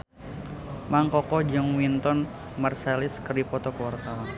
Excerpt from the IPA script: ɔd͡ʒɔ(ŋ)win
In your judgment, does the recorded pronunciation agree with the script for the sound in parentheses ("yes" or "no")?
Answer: yes